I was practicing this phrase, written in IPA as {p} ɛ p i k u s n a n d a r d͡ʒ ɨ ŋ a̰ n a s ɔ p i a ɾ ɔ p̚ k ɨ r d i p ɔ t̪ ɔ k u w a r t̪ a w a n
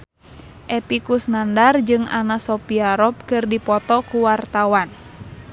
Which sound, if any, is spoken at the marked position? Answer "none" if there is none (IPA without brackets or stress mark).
ʔ